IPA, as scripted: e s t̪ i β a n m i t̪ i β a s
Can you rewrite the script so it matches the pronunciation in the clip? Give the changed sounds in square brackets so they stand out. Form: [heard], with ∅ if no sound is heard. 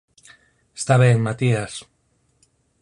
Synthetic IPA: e s t̪ [a] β [e] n m [a] t̪ i [∅] a s